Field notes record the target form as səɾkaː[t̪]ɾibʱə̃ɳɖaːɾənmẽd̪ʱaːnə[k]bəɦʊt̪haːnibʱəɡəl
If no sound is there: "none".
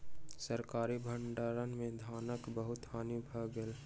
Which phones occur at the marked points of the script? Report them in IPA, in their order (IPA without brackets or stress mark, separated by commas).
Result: none, k